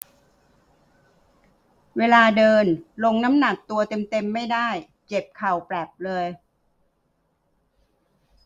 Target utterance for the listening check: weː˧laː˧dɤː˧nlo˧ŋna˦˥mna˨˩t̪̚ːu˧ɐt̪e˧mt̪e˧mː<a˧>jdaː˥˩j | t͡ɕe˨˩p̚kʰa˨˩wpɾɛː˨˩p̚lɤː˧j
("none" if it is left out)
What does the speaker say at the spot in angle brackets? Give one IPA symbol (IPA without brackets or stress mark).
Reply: a˥˩